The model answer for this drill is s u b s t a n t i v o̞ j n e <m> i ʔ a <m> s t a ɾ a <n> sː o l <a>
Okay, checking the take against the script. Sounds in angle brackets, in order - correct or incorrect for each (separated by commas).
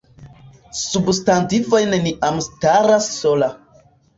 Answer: incorrect, correct, incorrect, correct